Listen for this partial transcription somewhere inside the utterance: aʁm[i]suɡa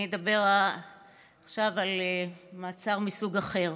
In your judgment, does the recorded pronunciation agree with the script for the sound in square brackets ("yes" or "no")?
yes